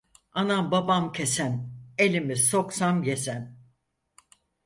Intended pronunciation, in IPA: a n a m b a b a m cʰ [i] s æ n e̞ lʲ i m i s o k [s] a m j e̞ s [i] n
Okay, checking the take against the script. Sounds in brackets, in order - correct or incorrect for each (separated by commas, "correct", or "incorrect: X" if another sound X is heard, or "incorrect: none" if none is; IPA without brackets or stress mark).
incorrect: e, correct, incorrect: æ